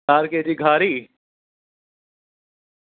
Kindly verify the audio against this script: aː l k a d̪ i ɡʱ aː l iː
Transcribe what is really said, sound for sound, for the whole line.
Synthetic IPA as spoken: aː ɾ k e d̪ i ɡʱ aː ɾ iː